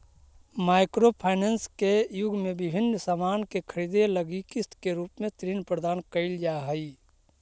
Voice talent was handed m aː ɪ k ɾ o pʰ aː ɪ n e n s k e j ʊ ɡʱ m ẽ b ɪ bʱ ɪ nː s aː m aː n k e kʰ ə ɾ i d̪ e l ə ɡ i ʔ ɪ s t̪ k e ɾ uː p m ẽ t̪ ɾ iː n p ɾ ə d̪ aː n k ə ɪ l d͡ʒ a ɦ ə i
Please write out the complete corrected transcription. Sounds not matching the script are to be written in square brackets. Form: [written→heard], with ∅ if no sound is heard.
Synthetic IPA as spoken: m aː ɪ k ɾ o pʰ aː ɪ n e n s k e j ʊ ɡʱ m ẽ b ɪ bʱ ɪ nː s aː m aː n k e kʰ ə ɾ i d̪ e l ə ɡ i [ʔ→k] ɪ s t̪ k e ɾ uː p m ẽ t̪ ɾ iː n p ɾ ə d̪ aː n k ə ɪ l d͡ʒ a ɦ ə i